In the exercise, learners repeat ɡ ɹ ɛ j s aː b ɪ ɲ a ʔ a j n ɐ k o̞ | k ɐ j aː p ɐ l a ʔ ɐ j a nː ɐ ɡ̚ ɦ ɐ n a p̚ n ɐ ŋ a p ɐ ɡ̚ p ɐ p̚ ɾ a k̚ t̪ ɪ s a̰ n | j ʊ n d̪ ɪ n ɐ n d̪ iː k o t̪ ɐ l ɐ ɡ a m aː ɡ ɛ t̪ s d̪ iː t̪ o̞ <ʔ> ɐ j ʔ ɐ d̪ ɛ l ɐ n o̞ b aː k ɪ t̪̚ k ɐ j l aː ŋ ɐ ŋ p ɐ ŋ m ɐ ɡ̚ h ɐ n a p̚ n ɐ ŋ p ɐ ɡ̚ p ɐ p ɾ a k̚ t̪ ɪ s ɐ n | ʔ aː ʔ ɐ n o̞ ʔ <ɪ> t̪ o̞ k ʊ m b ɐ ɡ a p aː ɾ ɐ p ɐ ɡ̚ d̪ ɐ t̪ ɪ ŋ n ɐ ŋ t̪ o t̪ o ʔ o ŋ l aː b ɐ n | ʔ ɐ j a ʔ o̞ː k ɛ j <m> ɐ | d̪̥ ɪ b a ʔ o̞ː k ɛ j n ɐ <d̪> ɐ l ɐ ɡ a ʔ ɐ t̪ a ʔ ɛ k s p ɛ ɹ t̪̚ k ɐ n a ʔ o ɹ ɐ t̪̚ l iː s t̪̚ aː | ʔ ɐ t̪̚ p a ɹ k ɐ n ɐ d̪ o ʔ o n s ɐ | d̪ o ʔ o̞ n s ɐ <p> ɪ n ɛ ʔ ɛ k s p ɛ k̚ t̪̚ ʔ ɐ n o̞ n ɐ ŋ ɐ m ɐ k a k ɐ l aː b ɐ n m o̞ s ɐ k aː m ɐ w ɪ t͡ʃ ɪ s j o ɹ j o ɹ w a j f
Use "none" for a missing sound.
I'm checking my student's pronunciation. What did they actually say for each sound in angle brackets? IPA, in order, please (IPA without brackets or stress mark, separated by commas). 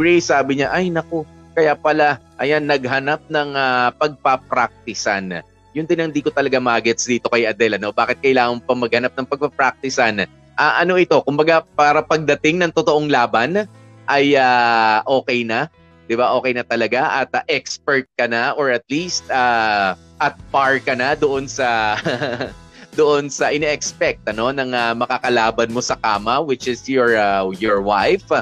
k, ɪ, n, t̪, ʔ